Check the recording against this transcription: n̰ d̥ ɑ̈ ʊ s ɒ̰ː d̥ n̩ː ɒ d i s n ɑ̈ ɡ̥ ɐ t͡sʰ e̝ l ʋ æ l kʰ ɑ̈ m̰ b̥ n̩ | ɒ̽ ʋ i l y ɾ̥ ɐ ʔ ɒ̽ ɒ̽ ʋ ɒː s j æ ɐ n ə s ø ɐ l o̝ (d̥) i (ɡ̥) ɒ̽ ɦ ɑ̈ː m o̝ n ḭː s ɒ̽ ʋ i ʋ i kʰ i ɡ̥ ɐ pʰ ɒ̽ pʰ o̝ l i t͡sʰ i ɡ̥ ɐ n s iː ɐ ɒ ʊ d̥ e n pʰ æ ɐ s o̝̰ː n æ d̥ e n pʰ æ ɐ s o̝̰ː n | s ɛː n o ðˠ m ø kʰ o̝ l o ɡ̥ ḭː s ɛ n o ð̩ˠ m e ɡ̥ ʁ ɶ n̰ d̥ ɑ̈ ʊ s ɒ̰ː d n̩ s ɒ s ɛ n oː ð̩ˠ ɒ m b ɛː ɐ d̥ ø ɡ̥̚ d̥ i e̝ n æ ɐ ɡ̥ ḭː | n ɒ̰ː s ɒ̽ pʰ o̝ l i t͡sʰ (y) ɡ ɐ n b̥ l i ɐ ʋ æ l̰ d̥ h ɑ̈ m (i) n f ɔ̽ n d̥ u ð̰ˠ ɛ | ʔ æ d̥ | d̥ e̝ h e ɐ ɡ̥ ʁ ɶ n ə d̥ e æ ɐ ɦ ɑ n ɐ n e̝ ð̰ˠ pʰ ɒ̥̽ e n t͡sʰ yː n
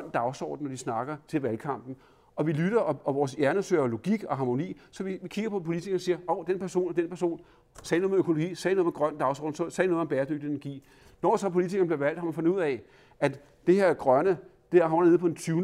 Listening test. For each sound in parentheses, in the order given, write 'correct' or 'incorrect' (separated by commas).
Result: incorrect, correct, incorrect, incorrect